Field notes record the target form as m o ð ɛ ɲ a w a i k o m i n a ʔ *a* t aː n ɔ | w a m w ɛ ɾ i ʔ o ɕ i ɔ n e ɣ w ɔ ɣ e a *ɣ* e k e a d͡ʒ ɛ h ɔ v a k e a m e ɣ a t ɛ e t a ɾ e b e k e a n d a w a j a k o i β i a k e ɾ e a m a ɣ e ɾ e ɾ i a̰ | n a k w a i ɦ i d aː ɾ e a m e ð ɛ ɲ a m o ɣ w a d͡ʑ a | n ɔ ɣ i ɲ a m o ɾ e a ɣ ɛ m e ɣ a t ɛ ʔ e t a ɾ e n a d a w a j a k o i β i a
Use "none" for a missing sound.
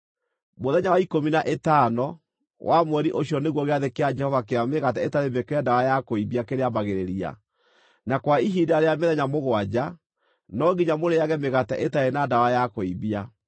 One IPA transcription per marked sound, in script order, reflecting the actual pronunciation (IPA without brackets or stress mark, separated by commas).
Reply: e, ð